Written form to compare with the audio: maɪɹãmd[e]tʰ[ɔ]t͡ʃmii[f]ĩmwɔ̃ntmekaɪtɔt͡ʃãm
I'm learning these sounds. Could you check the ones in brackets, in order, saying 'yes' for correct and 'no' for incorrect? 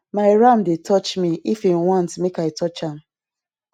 yes, yes, yes

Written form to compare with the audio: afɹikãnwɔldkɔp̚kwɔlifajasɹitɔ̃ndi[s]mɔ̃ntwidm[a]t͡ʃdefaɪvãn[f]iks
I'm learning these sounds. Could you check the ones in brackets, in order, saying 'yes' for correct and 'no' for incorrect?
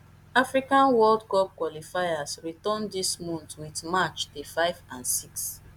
yes, yes, no

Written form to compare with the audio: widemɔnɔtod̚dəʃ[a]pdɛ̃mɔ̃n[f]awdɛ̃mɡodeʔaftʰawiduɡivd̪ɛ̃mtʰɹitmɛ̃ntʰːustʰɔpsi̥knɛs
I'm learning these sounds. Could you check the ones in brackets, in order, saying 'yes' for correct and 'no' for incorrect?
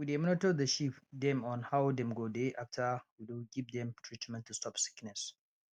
no, no

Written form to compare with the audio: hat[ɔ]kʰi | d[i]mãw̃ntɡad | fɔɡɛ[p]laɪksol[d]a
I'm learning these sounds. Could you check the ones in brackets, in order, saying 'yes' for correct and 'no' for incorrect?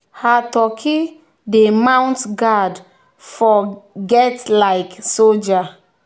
yes, no, no, no

